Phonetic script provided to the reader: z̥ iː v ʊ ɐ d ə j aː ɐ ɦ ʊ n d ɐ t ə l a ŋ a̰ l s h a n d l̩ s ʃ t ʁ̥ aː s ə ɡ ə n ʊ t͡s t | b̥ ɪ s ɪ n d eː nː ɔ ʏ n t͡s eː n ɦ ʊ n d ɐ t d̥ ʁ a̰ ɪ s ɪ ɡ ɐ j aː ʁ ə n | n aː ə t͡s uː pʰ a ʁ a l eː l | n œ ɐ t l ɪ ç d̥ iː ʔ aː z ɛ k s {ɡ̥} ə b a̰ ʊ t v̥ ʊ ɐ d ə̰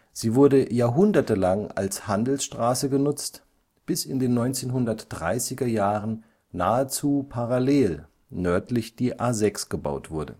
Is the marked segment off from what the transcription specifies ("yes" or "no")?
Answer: no